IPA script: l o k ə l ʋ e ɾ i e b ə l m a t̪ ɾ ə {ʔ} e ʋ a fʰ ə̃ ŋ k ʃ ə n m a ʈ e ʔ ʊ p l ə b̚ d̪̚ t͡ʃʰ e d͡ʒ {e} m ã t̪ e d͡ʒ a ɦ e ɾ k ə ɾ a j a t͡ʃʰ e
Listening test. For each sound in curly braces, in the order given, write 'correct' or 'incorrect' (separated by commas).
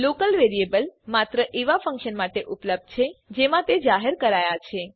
correct, correct